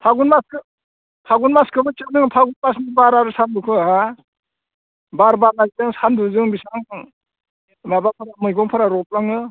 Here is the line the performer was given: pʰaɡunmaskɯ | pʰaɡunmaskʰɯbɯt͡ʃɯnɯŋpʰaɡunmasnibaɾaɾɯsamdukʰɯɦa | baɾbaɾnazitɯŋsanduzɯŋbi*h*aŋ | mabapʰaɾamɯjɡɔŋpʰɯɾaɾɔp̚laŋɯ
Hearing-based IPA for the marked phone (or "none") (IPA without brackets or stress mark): s